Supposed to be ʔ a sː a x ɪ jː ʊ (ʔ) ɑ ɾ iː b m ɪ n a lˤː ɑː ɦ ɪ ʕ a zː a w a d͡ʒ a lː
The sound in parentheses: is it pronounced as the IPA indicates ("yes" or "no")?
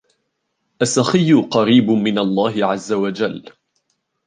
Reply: no